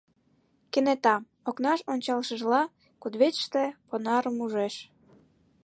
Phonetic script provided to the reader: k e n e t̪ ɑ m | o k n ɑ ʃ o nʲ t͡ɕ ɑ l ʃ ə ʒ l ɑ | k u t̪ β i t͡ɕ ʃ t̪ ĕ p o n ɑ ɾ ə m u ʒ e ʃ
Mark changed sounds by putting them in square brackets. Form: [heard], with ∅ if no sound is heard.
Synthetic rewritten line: k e n e t̪ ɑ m | o k n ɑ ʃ o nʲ t͡ɕ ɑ l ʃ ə ʒ l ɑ | k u [d̪] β [e] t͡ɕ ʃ t̪ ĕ p o n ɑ ɾ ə m u ʒ e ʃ

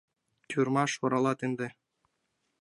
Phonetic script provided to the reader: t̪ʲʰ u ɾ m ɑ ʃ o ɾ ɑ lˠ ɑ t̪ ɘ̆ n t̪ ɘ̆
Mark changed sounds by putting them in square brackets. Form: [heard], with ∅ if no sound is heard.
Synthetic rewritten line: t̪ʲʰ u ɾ m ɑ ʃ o ɾ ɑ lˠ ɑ t̪ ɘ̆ n [d̪] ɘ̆

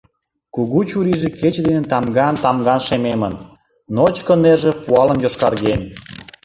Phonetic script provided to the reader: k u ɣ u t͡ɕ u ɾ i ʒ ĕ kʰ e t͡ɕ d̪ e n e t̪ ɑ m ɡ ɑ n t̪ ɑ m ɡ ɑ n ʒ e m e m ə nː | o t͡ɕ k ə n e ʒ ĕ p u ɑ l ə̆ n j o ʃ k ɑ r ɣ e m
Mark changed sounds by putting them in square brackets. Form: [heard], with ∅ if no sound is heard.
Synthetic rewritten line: k u ɣ u t͡ɕ u ɾ i ʒ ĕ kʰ e t͡ɕ d̪ e n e t̪ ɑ m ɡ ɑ n t̪ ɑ m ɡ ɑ n [ʃ] e m e m ə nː | o t͡ɕ k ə n e ʒ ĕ p u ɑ l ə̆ n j o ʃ k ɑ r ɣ e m

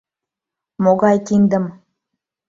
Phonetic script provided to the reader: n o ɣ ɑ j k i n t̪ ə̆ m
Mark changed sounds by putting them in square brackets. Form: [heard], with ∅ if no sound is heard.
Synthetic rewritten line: [m] o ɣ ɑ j k i n [d̪] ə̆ m

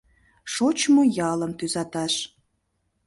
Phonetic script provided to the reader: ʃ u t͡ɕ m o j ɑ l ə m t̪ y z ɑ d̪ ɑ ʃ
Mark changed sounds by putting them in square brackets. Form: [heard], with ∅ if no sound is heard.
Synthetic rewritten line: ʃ [o] t͡ɕ m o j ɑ l ə m t̪ y z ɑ [t̪] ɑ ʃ

